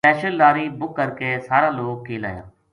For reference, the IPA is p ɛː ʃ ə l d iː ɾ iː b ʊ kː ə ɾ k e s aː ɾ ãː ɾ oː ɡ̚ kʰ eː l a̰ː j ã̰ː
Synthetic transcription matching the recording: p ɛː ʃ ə l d aː ɾ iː b ʊ kː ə ɾ k e s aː ɾ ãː l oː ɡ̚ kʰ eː l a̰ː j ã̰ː